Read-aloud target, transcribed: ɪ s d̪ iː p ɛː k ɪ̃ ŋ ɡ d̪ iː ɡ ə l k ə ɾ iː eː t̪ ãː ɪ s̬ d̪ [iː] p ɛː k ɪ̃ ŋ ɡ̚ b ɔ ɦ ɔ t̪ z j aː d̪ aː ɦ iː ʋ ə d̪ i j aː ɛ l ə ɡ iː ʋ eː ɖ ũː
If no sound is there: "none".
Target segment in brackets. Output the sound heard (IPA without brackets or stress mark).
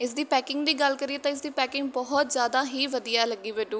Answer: iː